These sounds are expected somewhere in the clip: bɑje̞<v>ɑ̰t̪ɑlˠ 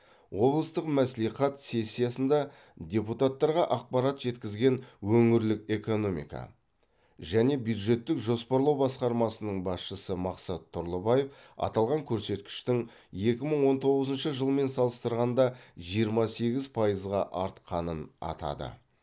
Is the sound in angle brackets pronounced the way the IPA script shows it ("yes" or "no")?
no